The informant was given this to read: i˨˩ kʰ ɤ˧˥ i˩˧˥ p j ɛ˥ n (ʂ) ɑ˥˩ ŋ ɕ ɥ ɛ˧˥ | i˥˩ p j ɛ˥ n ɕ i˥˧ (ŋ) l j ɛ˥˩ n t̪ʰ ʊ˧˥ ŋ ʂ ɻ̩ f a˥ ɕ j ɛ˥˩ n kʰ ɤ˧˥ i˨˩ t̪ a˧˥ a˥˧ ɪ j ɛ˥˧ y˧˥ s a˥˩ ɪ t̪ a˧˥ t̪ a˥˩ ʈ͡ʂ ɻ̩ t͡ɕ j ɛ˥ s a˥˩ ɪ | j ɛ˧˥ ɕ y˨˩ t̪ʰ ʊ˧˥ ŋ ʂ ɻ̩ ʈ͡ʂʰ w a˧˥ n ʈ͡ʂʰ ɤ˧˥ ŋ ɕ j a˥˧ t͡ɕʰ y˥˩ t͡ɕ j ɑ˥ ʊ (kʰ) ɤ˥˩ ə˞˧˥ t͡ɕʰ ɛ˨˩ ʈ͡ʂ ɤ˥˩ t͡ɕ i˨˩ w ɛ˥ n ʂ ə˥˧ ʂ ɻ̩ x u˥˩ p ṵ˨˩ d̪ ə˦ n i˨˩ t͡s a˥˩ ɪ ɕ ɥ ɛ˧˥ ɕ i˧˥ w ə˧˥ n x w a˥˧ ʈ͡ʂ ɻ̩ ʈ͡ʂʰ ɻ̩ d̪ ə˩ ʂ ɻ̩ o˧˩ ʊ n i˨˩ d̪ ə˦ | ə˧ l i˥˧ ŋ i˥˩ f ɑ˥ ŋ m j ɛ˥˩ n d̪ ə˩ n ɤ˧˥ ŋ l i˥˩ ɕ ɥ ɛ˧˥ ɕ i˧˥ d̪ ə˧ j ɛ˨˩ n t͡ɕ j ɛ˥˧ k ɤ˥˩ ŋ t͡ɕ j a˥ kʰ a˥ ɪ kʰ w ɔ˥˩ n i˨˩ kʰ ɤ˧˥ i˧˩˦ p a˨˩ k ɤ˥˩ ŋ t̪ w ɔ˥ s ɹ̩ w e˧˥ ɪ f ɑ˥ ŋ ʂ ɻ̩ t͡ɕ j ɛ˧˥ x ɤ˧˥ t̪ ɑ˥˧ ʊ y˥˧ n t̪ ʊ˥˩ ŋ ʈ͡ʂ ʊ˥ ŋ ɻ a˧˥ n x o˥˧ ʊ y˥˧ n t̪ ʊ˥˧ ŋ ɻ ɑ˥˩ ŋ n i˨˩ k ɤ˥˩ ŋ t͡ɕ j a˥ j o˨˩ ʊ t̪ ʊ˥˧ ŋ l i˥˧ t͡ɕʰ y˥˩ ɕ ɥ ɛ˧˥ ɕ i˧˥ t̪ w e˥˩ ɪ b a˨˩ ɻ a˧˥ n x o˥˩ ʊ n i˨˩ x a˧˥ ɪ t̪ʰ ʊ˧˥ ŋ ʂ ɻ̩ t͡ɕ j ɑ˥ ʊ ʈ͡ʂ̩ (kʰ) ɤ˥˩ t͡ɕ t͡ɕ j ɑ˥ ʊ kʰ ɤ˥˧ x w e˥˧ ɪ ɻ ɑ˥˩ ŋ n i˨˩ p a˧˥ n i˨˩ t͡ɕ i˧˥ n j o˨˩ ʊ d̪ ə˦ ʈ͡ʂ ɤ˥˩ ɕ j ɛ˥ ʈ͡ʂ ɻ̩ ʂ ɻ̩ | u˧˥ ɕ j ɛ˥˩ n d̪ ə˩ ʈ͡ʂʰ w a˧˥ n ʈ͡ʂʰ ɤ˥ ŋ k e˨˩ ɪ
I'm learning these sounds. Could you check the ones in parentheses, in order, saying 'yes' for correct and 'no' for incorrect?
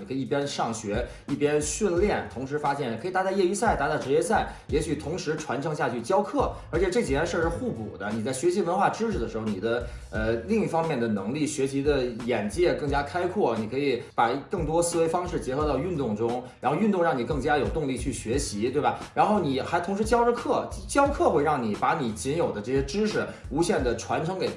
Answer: yes, no, yes, yes

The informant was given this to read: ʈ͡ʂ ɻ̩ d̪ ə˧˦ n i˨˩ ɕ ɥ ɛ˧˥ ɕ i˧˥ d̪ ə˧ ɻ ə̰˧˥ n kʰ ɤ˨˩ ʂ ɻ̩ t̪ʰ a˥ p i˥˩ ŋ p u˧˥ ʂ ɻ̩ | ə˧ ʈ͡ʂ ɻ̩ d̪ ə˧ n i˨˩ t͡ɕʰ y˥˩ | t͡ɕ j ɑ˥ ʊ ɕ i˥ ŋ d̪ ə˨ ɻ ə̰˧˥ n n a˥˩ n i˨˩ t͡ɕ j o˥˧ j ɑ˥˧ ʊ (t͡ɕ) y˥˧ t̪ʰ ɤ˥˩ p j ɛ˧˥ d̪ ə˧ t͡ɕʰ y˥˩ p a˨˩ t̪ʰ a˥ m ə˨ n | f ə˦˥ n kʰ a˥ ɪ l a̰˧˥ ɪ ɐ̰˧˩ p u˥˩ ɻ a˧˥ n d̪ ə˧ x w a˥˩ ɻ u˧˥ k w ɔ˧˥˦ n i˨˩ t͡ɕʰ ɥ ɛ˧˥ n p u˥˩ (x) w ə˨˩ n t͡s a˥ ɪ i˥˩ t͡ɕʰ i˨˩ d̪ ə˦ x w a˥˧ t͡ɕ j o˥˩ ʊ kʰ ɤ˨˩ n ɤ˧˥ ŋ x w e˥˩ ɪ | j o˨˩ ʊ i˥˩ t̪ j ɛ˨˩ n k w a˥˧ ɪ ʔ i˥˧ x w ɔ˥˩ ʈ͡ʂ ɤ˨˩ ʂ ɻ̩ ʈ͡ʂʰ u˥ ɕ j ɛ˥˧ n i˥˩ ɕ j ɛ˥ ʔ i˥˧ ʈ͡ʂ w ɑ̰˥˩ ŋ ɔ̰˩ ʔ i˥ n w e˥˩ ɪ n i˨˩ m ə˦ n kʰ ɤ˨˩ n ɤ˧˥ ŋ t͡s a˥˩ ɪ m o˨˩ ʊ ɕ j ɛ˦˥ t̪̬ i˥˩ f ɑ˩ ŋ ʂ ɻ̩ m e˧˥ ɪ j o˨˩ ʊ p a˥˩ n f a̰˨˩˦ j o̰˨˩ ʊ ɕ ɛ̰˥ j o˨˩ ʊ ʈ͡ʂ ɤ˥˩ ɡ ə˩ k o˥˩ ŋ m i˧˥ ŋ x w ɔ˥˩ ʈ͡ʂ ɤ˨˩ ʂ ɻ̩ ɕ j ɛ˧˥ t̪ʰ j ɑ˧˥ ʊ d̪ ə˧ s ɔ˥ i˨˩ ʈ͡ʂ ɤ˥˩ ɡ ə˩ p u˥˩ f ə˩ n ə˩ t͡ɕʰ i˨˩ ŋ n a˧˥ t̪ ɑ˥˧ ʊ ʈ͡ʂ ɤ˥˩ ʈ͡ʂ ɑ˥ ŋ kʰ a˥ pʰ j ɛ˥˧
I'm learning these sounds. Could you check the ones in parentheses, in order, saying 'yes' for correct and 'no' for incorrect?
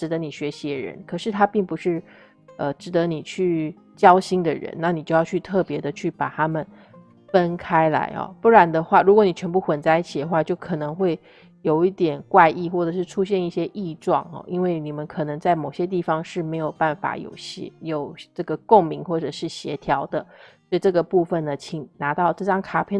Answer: no, yes

